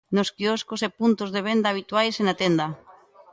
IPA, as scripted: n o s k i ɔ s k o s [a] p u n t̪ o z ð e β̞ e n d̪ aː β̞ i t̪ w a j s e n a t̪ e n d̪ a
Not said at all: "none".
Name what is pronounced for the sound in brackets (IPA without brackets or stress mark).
e